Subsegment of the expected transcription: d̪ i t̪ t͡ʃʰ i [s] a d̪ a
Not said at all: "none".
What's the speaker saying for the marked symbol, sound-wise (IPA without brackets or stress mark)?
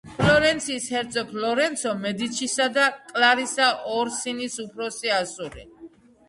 s